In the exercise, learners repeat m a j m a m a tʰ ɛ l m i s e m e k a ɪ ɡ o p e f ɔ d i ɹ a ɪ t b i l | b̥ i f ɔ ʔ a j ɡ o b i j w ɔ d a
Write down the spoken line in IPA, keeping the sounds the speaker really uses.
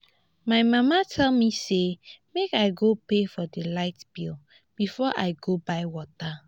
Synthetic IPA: m a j m a m a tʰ ɛ l m i s e m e k a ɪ ɡ o p e f ɔ d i l a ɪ t b i l | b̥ i f ɔ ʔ a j ɡ o b a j w ɔ t a